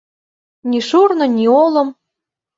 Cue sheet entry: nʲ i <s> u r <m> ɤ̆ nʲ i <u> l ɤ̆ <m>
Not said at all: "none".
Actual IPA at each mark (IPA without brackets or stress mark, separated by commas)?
ʃ, n, o, m